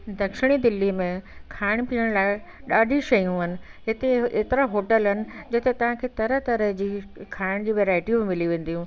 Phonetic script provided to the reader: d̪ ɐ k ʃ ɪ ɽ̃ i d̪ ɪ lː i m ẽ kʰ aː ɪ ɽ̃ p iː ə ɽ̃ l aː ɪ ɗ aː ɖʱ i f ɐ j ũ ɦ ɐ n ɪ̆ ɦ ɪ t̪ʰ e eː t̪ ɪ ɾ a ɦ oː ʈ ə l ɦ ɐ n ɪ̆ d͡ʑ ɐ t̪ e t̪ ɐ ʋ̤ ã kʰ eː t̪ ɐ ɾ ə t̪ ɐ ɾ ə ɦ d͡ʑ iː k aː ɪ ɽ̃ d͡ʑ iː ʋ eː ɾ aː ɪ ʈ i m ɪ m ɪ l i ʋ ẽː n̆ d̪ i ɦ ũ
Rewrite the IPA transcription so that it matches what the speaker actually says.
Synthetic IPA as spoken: d̪ ɐ k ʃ ɪ ɽ̃ i d̪ ɪ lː i m ẽ kʰ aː ɪ ɽ̃ p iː ə ɽ̃ l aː ɪ ɗ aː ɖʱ i ʃ ɐ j ũ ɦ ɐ n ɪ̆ ɦ ɪ t̪ e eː t̪ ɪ ɾ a ɦ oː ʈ ə l ɦ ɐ n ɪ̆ d͡ʑ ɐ t̪ e t̪ ɐ ʋ̤ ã kʰ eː t̪ ɐ ɾ ə t̪ ɐ ɾ ə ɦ d͡ʑ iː kʰ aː ɪ ɽ̃ d͡ʑ iː ʋ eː ɾ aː ɪ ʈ i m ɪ m ɪ l i ʋ ẽː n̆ d̪ i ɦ ũ